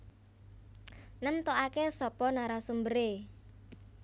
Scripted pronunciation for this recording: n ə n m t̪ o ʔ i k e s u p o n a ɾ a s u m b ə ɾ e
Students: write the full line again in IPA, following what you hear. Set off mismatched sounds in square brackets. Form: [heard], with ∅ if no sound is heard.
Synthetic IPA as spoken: n ə [∅] m t̪ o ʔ [a] k e s [ɔ] p [ɔ] n a ɾ a s u m b ə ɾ e